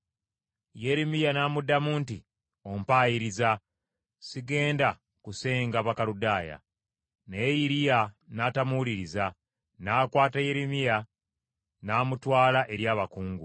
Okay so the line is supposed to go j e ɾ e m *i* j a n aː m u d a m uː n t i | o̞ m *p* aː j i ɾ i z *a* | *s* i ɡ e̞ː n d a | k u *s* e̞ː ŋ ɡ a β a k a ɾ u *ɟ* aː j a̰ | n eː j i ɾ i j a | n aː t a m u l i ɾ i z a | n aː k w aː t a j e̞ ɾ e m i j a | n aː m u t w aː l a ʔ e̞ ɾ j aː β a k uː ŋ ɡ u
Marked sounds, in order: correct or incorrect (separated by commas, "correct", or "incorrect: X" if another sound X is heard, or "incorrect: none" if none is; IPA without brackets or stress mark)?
correct, correct, correct, correct, correct, incorrect: d